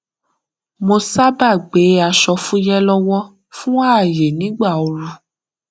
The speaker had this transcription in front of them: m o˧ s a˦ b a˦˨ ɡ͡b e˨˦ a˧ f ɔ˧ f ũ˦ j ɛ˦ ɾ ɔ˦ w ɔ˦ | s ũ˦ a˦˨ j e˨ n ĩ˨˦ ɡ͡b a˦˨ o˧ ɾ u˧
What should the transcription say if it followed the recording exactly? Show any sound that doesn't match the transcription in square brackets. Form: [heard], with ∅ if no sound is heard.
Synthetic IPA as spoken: m o˧ s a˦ b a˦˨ ɡ͡b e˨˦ a˧ [ʃ] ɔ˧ f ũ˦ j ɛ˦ [l] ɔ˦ w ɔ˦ | [f] ũ˦ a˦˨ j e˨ n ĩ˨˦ ɡ͡b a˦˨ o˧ ɾ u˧

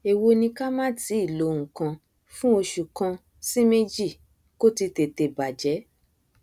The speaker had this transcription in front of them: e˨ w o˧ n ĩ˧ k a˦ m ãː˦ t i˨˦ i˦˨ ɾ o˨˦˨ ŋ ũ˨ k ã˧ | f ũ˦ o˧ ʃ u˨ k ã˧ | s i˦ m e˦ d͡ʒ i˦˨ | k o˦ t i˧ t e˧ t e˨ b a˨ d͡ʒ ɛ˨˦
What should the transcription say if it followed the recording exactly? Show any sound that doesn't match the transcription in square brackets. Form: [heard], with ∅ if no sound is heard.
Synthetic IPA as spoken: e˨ w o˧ n ĩ˧ k a˦ m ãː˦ t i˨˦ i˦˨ [l] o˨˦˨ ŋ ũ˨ k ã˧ | f ũ˦ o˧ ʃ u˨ k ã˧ | s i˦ m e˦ d͡ʒ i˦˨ | k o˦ t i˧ t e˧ t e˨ b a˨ d͡ʒ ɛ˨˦

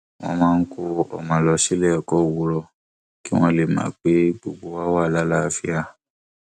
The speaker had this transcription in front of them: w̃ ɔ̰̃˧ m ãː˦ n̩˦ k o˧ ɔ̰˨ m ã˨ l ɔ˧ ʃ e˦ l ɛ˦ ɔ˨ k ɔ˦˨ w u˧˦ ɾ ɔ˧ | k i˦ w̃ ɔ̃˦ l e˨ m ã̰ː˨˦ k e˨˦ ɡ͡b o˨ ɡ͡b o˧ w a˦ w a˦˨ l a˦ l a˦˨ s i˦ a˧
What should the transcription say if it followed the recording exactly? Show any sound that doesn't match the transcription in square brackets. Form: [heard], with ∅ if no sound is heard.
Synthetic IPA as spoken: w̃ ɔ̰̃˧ m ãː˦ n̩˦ k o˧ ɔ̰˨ m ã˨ l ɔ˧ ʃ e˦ l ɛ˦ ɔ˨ k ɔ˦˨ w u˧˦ ɾ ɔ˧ | k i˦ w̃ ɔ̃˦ l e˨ m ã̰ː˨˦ [k͡p] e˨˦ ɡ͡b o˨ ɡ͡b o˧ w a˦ w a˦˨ l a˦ l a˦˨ [f] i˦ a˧

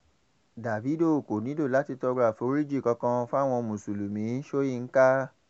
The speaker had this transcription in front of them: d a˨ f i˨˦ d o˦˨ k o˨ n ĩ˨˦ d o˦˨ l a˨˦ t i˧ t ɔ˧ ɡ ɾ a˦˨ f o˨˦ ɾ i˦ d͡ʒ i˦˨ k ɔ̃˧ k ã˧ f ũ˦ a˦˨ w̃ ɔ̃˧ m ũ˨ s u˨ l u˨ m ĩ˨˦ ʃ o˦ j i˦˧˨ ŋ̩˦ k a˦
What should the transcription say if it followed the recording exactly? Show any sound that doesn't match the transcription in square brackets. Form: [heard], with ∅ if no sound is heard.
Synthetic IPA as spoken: d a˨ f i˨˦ d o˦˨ k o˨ n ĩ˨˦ d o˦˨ l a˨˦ t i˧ t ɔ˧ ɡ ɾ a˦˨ f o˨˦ ɾ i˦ d͡ʒ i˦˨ k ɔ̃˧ k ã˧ f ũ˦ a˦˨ w̃ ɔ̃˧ m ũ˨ s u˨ l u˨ m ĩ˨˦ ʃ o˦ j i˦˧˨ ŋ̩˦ k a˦

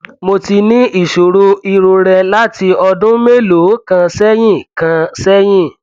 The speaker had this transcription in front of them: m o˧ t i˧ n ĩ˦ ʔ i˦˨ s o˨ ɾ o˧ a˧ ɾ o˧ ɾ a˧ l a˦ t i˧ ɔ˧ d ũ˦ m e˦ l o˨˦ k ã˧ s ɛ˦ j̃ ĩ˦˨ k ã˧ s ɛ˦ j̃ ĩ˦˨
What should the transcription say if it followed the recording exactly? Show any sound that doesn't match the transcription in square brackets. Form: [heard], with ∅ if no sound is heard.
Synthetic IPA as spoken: m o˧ t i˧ n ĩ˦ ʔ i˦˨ [ʃ] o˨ ɾ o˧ [i˧] ɾ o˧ ɾ [ɛ˧] l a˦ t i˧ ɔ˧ d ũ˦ m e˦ l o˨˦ k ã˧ s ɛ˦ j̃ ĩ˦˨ k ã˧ s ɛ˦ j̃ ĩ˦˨

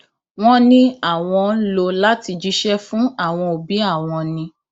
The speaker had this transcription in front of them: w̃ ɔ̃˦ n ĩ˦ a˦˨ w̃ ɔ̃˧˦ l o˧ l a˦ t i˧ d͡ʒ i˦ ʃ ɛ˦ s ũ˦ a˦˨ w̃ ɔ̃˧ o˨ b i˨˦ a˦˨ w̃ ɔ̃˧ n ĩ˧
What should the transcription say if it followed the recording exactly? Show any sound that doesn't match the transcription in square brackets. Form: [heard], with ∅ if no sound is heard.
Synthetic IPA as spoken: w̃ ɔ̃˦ n ĩ˦ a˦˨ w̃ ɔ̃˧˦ l o˧ l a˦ t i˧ d͡ʒ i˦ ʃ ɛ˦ [f] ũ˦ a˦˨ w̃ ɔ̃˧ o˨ b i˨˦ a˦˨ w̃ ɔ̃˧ n ĩ˧

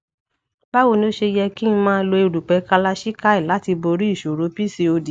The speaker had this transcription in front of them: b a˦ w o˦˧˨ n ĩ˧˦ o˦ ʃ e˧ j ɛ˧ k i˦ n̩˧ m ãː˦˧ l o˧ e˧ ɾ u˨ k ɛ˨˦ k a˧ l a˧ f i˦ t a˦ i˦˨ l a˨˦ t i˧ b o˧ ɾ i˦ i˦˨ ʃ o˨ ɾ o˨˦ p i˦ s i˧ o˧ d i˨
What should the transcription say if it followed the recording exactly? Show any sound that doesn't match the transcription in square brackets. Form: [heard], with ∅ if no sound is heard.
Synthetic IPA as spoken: b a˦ w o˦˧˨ n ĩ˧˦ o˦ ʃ e˧ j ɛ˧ k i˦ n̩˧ m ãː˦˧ l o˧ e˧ ɾ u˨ [k͡p] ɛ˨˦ k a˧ l a˧ [ʃ] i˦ [k] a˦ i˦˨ l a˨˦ t i˧ b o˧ ɾ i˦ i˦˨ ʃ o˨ ɾ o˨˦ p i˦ s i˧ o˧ d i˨

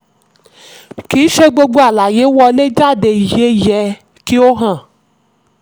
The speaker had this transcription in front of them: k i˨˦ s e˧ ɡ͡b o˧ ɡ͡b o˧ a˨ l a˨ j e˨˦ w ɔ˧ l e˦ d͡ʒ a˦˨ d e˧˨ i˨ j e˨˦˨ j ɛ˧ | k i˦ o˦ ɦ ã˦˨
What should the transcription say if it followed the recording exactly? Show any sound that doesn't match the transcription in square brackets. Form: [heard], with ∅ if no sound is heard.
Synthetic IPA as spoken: k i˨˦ [ʃ] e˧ ɡ͡b o˧ ɡ͡b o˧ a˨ l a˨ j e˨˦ w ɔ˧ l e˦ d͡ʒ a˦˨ d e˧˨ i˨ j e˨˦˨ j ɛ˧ | k i˦ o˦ ɦ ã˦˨

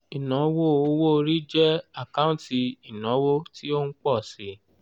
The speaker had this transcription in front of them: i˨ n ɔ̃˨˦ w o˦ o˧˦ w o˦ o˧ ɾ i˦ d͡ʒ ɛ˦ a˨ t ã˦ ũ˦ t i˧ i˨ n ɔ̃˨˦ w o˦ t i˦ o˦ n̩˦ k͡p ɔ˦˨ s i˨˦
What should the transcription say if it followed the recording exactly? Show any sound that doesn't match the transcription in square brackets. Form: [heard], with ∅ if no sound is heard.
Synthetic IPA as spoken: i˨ n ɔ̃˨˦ w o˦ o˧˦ w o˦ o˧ ɾ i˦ d͡ʒ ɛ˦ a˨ [k] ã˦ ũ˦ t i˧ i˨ n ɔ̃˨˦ w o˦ t i˦ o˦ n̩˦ k͡p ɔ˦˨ s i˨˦

